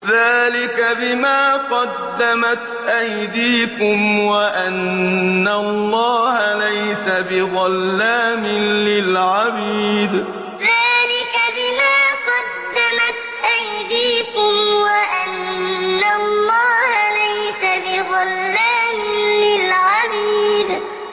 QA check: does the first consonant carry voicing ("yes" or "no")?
yes